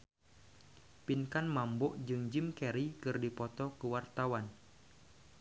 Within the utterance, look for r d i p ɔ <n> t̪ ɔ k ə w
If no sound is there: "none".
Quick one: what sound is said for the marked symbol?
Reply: none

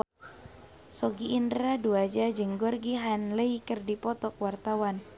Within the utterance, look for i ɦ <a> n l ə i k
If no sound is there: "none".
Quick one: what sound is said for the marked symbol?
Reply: a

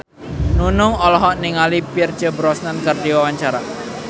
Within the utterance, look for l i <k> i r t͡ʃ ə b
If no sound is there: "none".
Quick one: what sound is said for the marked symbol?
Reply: p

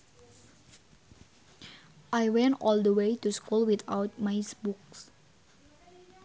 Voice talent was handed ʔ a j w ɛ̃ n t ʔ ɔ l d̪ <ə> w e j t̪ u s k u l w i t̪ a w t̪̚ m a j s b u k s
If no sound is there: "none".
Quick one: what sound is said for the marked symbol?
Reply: ə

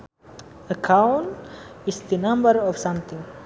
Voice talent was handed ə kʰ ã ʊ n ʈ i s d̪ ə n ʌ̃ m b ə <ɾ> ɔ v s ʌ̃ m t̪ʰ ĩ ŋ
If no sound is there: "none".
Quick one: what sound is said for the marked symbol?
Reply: ɾ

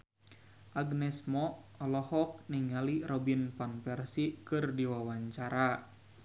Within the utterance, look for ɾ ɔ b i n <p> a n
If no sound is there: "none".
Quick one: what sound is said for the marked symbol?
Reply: p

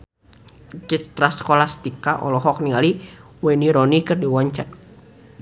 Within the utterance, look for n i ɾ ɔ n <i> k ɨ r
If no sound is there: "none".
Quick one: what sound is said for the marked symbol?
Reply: i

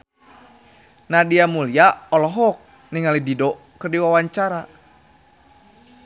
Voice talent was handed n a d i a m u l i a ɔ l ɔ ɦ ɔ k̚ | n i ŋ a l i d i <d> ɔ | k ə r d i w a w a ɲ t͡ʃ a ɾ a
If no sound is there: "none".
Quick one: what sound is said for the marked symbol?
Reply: d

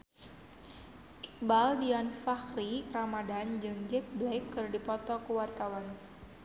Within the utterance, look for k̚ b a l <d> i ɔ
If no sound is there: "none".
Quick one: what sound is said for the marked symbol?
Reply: d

